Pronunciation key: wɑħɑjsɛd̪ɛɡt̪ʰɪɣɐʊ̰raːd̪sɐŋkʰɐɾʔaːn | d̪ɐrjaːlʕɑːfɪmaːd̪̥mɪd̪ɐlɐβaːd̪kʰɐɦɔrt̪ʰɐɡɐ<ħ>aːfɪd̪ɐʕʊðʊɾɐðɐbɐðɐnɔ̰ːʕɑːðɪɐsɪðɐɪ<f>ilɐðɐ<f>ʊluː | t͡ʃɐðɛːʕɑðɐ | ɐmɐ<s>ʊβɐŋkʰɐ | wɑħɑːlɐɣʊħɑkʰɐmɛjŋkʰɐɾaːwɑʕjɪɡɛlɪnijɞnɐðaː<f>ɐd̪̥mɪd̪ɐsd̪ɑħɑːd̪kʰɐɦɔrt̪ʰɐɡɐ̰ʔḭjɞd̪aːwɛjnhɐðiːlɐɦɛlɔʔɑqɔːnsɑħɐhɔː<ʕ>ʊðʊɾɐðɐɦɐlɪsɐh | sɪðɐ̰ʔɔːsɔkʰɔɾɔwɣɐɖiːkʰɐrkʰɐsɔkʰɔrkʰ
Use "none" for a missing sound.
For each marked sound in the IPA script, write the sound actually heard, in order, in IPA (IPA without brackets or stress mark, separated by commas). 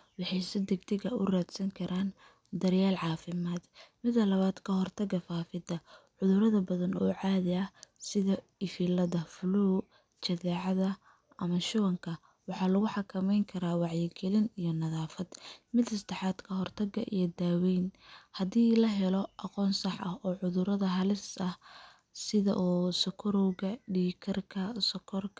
f, f, f, ʃ, f, ʕ